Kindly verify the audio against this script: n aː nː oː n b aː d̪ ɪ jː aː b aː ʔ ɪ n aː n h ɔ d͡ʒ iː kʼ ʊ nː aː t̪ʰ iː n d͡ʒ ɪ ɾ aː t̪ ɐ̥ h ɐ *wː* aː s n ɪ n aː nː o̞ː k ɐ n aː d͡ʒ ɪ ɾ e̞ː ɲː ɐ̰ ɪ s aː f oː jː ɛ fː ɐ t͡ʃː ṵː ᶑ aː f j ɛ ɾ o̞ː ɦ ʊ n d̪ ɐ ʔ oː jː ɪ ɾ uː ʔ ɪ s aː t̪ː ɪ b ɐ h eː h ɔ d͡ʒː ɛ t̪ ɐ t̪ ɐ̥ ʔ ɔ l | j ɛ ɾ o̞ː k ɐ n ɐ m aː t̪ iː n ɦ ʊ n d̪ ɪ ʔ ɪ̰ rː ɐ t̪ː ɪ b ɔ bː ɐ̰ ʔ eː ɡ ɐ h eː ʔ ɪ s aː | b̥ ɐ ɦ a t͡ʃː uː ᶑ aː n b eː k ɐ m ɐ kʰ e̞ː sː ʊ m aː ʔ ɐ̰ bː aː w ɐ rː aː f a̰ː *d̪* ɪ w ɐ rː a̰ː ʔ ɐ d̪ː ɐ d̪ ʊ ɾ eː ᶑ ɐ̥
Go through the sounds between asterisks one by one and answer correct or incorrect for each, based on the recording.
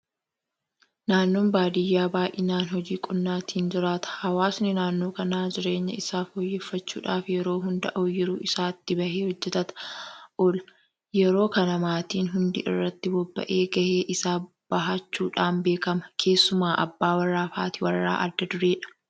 incorrect, incorrect

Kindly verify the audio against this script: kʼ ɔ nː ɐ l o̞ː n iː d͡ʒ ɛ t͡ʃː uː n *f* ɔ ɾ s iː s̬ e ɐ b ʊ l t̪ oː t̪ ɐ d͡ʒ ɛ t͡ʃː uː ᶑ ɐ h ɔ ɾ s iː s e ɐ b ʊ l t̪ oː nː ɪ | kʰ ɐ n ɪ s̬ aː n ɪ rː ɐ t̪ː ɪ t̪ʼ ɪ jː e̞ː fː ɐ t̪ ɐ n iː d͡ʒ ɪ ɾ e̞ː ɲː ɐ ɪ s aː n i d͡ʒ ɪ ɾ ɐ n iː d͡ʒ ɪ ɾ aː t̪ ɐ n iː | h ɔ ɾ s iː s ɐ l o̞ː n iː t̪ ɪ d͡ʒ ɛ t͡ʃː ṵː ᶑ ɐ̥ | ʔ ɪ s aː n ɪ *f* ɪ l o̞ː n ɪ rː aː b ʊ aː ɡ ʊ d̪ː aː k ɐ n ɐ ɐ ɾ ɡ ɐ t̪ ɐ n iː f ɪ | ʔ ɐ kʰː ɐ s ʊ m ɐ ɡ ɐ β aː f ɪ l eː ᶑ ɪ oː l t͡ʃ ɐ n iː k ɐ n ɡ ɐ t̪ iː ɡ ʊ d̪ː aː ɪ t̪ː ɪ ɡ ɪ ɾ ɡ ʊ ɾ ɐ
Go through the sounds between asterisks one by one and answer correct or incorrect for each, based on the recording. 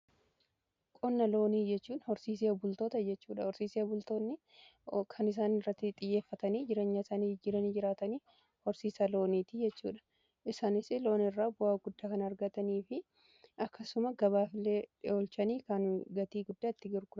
incorrect, incorrect

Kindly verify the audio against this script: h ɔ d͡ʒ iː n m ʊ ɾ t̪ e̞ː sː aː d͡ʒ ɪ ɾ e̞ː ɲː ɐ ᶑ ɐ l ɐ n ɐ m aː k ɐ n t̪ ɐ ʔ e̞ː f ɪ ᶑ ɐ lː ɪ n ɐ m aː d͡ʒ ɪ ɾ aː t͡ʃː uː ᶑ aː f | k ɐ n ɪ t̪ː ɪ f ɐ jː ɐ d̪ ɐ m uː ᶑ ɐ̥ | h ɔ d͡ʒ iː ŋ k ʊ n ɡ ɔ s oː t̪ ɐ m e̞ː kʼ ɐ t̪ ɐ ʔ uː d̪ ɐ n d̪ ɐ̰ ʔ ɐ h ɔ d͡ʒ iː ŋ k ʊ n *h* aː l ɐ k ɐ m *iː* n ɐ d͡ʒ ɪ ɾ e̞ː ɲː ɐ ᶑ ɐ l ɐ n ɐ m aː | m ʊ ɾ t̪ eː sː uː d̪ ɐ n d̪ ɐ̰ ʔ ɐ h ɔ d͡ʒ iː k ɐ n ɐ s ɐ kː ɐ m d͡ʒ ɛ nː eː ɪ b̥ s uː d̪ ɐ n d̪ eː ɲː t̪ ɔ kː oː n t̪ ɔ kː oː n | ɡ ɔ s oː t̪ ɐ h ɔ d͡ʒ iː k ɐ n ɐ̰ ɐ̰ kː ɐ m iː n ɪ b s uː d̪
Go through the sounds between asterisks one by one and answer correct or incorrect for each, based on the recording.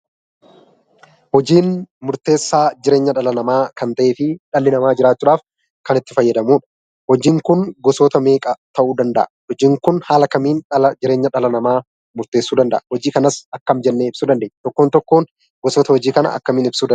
correct, correct

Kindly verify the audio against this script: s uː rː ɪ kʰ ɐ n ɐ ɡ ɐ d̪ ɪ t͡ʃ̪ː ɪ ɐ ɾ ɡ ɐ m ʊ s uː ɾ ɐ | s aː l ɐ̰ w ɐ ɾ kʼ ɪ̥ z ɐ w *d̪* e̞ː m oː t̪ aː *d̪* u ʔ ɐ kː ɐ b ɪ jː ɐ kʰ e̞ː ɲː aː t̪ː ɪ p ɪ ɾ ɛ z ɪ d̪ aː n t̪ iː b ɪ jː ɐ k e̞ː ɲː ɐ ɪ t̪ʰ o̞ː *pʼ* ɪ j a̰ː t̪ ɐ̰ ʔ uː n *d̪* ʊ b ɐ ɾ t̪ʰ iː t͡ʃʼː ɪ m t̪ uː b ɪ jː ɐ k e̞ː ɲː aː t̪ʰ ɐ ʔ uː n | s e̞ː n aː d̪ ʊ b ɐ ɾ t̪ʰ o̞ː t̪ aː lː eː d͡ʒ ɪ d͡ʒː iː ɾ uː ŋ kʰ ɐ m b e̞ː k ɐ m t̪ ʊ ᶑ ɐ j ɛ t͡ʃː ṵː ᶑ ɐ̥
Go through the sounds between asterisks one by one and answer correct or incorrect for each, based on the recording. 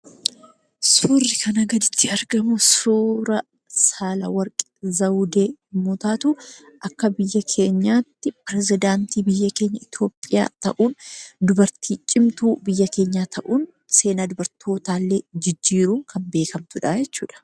correct, incorrect, correct, correct

